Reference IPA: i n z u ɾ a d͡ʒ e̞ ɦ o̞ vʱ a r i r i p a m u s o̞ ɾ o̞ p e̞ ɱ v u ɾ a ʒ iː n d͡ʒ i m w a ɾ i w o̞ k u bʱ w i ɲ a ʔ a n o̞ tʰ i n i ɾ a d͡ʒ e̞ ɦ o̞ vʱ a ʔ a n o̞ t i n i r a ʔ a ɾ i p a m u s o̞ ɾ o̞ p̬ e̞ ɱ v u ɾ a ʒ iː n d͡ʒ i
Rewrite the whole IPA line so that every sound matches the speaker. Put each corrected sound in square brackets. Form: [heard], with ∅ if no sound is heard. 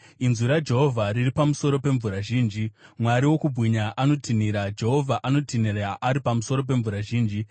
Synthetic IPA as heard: i n z u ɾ a d͡ʒ e̞ ɦ o̞ vʱ a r i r i p a m u s o̞ ɾ o̞ p e̞ ɱ v u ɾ a ʒ iː n d͡ʒ i m w a ɾ i w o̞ k u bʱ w i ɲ a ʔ a n o̞ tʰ i n i ɾ a d͡ʒ e̞ ɦ o̞ vʱ a ʔ a n o̞ t i n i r a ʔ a ɾ i p a m u s o̞ ɾ o̞ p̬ e̞ ɱ v u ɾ a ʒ iː n d͡ʒ i